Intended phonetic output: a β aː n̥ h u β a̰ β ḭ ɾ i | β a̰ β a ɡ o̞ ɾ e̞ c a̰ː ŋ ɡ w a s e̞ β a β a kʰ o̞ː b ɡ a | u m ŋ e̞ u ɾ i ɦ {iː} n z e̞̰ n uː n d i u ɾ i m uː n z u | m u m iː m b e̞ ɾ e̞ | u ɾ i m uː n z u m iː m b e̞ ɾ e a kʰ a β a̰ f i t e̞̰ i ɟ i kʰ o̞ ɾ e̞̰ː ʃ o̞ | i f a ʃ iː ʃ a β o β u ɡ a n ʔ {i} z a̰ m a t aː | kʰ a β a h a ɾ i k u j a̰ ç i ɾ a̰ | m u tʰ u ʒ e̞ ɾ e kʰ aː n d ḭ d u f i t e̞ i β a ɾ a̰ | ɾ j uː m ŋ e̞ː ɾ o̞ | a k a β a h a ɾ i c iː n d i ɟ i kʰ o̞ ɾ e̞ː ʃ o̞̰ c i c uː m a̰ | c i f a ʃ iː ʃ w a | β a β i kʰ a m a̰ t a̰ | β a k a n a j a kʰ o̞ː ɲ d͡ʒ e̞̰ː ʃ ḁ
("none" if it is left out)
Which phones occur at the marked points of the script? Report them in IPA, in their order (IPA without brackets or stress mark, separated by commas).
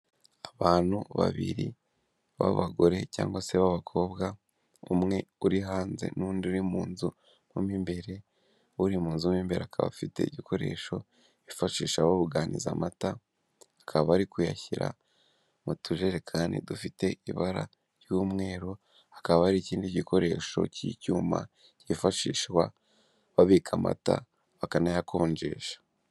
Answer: aː, i